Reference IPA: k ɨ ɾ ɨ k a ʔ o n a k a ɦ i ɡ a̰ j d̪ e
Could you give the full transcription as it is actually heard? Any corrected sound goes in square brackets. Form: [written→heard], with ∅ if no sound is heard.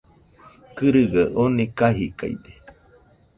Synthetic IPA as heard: k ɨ ɾ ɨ [k→ɡ] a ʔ o n [a→i] k a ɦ i [ɡ→k] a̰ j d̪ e